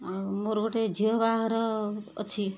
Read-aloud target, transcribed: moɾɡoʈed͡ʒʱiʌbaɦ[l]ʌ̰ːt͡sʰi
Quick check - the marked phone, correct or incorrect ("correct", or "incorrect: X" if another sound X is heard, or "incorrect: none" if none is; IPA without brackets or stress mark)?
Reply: incorrect: ɾ